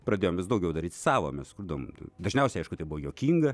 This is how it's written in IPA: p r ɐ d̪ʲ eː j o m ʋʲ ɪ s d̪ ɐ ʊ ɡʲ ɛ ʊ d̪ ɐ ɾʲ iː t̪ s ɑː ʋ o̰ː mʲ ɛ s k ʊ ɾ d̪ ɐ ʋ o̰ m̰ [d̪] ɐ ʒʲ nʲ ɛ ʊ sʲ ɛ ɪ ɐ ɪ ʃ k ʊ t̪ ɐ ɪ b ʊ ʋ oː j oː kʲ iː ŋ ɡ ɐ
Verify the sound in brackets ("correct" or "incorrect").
correct